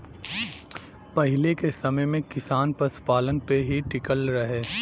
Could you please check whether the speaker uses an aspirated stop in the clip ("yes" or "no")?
no